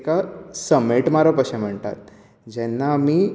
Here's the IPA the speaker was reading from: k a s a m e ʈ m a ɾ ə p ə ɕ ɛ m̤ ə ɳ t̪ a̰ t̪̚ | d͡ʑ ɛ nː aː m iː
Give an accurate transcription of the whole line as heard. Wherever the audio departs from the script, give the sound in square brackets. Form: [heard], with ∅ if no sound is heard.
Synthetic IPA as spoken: k a s [ə] m e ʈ m a ɾ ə p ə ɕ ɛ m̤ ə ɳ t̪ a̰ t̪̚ | d͡ʑ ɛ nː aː m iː